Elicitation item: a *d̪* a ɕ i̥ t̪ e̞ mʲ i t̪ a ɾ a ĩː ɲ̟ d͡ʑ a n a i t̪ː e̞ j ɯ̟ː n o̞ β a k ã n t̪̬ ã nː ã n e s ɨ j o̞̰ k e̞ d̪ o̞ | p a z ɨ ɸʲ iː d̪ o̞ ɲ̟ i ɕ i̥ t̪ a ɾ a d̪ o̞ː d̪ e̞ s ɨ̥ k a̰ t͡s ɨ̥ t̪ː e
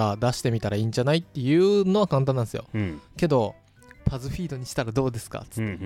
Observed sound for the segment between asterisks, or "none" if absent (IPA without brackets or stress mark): d̪